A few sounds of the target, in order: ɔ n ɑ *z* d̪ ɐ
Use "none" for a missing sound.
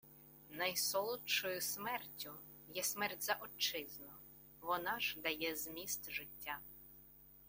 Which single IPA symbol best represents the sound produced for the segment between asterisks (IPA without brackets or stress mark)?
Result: ʒ